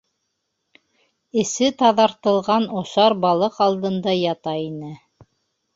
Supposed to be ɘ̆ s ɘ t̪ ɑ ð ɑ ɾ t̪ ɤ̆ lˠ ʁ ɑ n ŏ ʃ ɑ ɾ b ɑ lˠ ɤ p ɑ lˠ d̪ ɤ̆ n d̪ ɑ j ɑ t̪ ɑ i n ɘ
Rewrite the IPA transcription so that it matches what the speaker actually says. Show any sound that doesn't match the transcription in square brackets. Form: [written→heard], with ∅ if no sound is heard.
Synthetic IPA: ɘ̆ s ɘ t̪ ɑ ð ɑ ɾ t̪ ɤ̆ lˠ ʁ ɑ n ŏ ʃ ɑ ɾ b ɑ lˠ ɤ [p→q] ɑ lˠ d̪ ɤ̆ n d̪ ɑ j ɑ t̪ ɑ i n ɘ